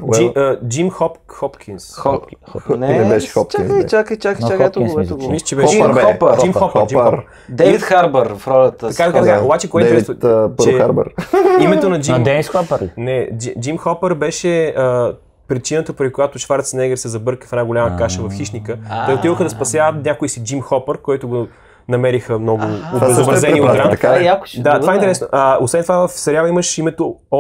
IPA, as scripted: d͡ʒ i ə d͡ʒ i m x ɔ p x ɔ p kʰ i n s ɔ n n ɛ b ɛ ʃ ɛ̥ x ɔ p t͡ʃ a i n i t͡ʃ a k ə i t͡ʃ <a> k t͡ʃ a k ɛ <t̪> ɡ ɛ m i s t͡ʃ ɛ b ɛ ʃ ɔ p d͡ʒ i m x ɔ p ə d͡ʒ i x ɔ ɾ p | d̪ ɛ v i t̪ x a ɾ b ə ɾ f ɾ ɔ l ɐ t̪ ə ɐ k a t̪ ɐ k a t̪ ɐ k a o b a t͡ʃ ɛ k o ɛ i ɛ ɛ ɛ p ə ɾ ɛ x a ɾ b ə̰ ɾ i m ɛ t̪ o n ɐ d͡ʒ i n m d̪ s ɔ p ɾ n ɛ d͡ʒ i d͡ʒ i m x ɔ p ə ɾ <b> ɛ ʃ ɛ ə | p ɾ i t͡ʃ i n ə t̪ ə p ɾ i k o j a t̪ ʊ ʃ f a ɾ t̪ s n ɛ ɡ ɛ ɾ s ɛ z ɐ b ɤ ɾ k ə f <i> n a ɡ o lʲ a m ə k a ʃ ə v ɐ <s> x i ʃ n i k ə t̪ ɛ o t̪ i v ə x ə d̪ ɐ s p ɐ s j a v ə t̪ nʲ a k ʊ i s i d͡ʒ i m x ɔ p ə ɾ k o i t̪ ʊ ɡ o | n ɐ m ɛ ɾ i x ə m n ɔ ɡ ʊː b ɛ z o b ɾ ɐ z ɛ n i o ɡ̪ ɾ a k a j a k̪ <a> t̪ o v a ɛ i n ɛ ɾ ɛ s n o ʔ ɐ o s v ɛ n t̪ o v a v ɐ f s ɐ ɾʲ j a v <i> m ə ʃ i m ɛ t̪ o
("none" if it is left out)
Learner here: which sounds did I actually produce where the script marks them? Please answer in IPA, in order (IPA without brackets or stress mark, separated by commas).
a, t̪, b, ɛ, f, a, i